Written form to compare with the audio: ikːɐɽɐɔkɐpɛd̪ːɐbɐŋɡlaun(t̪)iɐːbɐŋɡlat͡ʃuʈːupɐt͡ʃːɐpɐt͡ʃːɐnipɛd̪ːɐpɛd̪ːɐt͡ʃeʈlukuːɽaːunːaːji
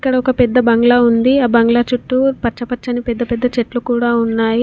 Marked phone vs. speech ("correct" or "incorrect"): incorrect